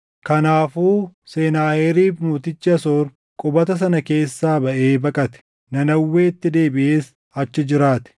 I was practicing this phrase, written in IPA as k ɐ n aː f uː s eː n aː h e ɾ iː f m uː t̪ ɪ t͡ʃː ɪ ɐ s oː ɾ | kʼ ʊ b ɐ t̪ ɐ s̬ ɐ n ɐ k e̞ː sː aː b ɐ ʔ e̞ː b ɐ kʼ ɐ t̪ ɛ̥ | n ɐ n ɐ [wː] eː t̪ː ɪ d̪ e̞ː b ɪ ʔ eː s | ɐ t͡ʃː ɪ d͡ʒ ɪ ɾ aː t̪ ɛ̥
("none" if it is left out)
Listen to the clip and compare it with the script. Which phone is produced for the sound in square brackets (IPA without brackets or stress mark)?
wː